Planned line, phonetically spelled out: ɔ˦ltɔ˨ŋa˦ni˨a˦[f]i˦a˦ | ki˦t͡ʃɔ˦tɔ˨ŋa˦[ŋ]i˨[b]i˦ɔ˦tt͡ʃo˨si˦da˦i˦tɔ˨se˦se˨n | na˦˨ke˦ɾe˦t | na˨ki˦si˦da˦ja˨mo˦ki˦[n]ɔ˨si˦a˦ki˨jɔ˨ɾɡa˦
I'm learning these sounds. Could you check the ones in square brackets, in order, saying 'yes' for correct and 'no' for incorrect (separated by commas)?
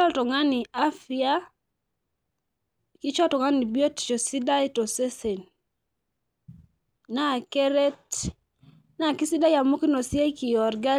yes, no, yes, yes